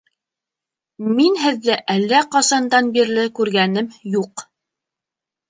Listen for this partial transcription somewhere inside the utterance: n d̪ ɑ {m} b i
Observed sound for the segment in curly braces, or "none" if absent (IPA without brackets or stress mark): n